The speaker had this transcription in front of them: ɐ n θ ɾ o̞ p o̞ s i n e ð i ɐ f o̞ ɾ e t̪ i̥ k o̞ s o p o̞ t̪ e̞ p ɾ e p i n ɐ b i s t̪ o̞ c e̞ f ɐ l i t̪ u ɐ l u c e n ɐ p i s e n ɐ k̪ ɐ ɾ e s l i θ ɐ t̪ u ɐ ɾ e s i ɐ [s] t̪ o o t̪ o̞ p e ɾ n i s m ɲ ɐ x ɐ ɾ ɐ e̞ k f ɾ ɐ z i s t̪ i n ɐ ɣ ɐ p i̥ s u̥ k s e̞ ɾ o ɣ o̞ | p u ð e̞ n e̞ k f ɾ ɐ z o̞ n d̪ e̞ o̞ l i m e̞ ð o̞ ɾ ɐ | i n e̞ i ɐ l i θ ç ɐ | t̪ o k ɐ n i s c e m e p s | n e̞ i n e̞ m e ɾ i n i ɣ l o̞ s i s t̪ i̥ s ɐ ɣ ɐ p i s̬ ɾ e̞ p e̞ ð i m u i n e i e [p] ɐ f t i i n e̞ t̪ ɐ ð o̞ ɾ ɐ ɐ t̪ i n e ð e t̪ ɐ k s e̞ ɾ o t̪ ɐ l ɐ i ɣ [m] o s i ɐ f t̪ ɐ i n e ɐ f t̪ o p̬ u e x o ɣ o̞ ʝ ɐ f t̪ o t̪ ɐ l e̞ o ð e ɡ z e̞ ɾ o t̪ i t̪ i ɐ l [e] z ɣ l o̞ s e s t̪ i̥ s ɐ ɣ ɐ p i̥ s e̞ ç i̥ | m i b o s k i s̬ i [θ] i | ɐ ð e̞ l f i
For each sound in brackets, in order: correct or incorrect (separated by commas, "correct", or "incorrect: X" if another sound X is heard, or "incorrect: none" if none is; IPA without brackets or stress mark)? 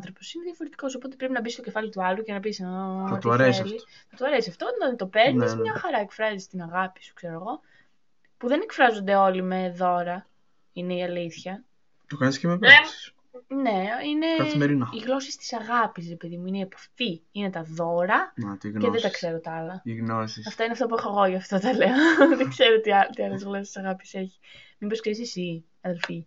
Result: incorrect: f, correct, incorrect: n, correct, incorrect: s